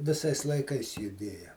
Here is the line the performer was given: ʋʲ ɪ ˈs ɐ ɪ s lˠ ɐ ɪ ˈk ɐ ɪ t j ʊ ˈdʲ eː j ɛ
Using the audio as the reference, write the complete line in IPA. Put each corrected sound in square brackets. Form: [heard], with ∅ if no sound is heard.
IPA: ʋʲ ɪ ˈs ɐ ɪ s lˠ ɐ ɪ ˈk ɐ ɪ [s] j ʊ ˈdʲ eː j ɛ